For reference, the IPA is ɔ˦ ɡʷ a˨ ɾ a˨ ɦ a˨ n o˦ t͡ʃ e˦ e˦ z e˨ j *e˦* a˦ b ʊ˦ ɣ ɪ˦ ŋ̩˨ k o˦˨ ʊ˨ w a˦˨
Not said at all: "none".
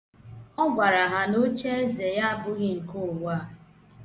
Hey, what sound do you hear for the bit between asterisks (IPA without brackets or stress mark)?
a˦